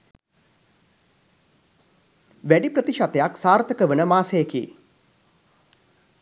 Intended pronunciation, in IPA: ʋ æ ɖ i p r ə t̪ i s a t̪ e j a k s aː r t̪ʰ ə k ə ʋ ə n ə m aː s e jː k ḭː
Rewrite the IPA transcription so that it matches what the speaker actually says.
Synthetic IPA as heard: ʋ æ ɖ i p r ə t̪ i ʃ a t̪ e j a k s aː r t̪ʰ ə k ə ʋ ə n ə m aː s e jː k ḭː